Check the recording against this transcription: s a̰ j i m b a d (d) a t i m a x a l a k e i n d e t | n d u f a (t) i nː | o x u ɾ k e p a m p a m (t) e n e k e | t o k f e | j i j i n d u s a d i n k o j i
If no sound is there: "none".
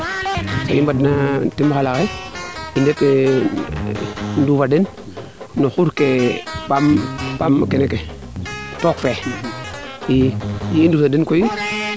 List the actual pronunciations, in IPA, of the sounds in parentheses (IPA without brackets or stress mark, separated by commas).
n, d, k